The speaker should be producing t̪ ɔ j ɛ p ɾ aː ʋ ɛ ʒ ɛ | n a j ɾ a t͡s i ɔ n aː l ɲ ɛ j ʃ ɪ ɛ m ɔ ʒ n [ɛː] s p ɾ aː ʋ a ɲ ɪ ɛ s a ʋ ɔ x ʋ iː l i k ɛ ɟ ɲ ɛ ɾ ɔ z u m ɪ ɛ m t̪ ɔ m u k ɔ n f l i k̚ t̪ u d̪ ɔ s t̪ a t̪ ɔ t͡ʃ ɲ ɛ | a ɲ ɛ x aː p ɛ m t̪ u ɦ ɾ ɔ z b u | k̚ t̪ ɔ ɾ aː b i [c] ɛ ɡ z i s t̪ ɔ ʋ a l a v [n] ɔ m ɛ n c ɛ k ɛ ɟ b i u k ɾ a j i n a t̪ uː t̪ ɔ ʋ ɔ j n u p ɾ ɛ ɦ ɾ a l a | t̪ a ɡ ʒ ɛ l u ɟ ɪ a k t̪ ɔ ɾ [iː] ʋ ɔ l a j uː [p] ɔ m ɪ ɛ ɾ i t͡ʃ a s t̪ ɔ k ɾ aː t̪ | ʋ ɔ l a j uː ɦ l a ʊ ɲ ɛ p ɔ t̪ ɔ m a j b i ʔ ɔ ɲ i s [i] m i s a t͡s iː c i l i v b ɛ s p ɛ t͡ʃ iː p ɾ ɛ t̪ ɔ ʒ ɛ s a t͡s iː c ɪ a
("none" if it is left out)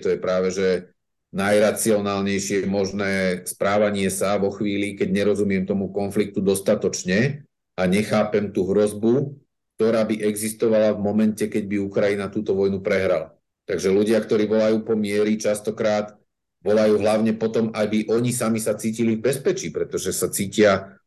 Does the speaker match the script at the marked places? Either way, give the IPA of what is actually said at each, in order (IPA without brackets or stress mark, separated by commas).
ɛː, ʔ, m, iː, p, a